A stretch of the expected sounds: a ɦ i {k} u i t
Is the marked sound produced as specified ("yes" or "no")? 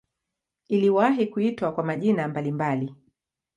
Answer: yes